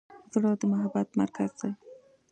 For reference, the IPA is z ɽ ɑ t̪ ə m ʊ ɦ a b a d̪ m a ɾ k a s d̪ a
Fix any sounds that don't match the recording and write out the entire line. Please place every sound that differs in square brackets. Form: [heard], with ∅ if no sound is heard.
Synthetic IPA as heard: z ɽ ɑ [d̪] ə m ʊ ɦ a b a [t̪] m a ɾ k a [z] d̪ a